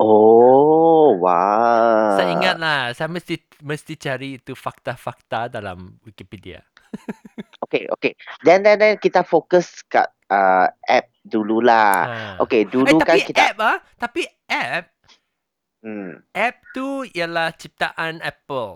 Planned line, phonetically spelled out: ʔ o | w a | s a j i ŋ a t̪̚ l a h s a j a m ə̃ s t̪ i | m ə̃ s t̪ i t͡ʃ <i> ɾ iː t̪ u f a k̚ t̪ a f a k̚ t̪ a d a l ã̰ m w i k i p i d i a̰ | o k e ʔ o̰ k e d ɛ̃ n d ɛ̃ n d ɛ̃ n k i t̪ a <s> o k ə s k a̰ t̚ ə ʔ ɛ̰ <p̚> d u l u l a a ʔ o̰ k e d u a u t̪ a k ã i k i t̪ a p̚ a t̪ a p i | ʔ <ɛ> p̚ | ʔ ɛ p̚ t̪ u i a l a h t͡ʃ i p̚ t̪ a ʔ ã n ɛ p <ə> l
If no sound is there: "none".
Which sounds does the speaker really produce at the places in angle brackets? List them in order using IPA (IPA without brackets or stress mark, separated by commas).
a, f, p̚, ɛ, ə